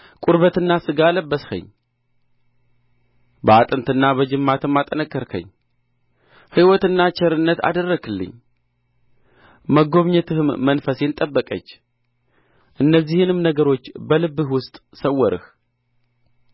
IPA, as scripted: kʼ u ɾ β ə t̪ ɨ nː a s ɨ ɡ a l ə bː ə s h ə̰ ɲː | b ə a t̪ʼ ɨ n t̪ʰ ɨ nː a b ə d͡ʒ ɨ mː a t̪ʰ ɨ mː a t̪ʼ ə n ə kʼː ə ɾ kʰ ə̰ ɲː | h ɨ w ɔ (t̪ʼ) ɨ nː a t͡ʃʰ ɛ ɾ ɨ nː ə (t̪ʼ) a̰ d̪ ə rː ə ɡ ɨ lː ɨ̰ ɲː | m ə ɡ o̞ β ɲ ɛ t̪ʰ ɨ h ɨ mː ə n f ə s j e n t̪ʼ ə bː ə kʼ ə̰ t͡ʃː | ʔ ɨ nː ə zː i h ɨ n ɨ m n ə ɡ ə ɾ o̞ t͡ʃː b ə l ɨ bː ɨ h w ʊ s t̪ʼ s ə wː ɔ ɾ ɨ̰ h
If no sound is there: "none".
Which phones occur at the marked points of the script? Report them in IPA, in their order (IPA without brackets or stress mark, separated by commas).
t̪, t̪